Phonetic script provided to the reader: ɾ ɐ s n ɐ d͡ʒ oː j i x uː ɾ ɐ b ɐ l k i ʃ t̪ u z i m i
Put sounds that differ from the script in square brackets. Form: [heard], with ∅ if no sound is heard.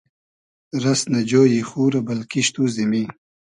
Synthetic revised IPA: ɾ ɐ s n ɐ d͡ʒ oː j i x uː ɾ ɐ b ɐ l k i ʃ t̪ u z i m i